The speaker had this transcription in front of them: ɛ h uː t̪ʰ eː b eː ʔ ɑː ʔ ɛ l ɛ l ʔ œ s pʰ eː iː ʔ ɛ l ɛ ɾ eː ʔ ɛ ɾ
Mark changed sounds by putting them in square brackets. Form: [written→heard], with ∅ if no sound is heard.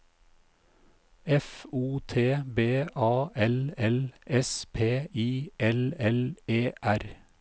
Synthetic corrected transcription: ɛ [h→f] uː t̪ʰ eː b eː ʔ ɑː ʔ ɛ l ɛ l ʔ [œ→ɛ] s pʰ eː iː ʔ ɛ l ɛ [ɾ→l] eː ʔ [ɛ→æ] ɾ